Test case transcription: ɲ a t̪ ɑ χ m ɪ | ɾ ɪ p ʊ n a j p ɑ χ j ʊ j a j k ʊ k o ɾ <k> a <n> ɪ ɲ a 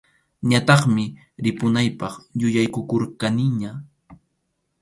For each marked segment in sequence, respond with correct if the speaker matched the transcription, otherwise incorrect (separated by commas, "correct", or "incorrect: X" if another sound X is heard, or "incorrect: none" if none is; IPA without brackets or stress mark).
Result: correct, correct